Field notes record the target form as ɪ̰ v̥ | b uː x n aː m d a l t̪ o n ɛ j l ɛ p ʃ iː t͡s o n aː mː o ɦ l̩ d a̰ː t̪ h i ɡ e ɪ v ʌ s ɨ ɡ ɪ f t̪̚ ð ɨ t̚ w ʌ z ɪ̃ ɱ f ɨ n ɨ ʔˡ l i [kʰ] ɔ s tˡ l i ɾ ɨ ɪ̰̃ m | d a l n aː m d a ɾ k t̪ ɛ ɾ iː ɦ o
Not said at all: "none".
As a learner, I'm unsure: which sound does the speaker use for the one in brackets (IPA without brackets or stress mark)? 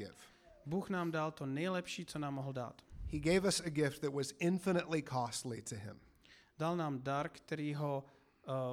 kʰ